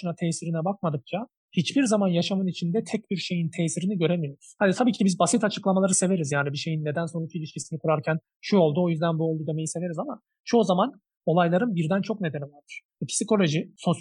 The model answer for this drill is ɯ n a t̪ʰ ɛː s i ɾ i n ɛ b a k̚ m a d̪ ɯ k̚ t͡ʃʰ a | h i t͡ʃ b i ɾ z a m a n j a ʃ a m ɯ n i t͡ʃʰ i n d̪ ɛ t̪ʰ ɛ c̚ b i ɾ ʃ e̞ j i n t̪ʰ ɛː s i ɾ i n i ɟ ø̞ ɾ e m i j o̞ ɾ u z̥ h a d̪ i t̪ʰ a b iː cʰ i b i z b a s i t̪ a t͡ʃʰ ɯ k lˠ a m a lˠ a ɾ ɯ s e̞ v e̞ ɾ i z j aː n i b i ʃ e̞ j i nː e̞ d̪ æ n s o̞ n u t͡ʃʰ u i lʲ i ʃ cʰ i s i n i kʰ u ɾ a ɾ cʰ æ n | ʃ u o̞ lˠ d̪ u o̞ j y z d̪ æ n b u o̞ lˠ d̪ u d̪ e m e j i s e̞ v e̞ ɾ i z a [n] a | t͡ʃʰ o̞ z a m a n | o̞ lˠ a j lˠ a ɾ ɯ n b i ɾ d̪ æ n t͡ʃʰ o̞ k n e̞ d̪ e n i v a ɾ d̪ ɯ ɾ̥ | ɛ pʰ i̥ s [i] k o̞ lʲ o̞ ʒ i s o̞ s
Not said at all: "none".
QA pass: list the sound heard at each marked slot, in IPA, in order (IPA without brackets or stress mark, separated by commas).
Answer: m, i